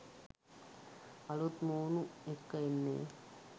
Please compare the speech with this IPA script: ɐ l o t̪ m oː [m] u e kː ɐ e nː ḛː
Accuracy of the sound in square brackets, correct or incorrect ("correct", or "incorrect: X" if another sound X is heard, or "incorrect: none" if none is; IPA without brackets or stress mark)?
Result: incorrect: n